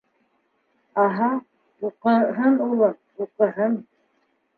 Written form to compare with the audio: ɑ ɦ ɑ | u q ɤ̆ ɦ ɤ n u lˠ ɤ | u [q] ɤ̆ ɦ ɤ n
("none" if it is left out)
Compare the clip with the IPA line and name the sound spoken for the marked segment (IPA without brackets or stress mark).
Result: q